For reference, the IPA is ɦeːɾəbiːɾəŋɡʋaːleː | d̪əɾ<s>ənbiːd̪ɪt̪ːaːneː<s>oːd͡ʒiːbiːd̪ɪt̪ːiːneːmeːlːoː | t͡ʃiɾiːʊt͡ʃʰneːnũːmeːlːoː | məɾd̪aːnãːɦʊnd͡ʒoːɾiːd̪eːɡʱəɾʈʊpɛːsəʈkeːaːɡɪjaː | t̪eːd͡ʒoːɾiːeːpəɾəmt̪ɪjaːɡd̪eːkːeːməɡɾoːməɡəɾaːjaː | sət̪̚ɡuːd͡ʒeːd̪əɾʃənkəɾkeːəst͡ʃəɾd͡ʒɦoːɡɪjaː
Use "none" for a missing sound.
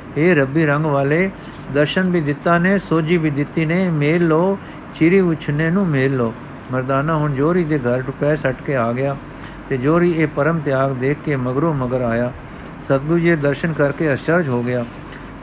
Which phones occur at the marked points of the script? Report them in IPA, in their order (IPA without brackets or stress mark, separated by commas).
ʃ, s